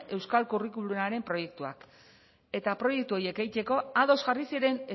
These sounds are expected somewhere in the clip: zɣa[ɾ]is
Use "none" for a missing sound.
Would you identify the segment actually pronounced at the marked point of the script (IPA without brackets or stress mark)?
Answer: r